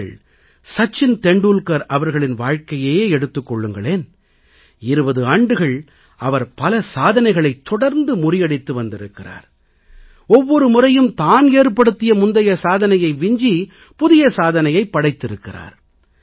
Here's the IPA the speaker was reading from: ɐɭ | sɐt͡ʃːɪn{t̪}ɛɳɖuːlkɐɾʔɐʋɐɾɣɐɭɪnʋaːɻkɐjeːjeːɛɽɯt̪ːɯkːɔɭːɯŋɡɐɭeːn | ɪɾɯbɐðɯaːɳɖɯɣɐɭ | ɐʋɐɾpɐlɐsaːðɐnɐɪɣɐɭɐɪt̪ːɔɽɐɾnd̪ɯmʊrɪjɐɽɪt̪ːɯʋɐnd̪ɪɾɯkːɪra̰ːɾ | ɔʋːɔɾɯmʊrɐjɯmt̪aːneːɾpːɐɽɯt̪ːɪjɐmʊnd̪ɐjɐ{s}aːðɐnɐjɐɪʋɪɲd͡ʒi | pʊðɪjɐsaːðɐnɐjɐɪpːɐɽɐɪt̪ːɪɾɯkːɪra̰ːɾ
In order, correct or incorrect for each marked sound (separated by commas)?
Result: correct, correct